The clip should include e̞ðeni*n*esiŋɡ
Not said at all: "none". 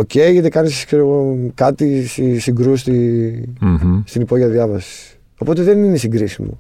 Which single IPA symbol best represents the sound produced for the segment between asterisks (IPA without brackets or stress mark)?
n